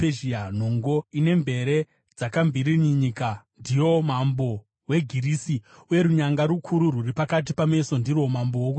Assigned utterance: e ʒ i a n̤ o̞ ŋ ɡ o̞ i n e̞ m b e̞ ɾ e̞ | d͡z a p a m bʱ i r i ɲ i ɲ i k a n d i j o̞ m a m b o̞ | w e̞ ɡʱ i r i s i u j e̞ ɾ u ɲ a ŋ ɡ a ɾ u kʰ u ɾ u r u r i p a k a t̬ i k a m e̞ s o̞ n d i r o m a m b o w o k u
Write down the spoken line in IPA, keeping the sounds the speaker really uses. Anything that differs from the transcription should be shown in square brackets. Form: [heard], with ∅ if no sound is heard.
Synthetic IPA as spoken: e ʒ i a n̤ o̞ ŋ ɡ o̞ i n e̞ m b e̞ ɾ e̞ | d͡z a [k] a m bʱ i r i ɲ i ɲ i k a n d i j o̞ m a m b o̞ | w e̞ ɡʱ i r i s i u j e̞ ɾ u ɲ a ŋ ɡ a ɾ u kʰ u ɾ u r u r i p a k a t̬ i [p] a m e̞ s o̞ n d i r o m a m b o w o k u